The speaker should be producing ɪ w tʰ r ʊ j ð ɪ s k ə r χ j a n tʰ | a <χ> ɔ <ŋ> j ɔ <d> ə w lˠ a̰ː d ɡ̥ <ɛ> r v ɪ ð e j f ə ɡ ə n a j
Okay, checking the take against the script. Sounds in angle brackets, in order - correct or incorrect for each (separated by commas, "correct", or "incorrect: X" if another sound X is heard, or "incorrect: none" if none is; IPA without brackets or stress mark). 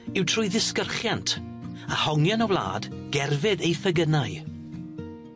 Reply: incorrect: h, correct, incorrect: n, correct